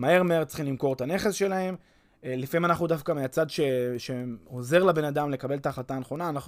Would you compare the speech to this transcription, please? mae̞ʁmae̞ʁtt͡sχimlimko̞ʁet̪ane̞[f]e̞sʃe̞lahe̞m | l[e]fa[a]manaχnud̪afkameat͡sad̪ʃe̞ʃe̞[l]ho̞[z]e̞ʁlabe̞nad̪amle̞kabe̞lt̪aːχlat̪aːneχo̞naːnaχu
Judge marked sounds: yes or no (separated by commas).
no, no, no, no, yes